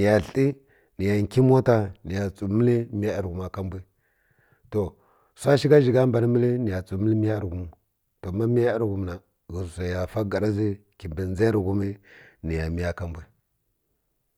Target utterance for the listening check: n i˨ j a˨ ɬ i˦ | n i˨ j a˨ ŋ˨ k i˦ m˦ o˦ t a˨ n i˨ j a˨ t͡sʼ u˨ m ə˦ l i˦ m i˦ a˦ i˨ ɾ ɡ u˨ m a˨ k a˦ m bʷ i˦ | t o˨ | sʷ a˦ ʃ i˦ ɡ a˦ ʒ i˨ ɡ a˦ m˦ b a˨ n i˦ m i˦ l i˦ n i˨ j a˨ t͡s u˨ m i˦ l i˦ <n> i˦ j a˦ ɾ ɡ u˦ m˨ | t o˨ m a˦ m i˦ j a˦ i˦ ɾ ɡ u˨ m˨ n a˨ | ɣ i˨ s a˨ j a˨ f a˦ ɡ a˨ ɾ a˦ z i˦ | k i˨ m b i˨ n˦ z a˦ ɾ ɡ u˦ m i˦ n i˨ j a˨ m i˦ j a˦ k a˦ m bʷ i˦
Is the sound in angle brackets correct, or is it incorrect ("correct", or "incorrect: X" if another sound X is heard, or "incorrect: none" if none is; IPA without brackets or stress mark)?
incorrect: m